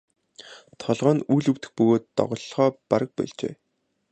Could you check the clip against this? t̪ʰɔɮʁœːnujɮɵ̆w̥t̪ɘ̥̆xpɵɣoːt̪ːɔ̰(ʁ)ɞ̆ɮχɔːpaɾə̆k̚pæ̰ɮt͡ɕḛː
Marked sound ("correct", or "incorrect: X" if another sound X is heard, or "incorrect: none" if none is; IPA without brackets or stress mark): correct